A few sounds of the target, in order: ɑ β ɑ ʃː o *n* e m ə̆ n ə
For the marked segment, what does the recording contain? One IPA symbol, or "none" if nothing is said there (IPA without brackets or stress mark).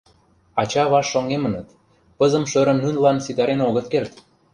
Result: ŋ